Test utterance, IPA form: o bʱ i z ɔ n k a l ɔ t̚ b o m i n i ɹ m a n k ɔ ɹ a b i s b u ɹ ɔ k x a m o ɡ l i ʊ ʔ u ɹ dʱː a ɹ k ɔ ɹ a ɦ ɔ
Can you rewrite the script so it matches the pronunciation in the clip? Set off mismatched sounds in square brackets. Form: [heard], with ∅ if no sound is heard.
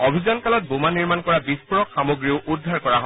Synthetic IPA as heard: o bʱ i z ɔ n k a l ɔ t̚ b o m [a] n i ɹ m a n k ɔ ɹ a b i s [p] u ɹ ɔ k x a m o ɡ [ɹ] i ʊ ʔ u [∅] dʱː a ɹ k ɔ ɹ a ɦ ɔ